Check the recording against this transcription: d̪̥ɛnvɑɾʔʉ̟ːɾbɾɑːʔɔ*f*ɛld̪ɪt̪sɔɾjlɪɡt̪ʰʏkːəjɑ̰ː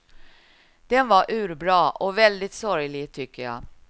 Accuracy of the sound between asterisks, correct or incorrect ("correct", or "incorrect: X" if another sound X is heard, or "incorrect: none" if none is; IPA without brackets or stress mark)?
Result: incorrect: v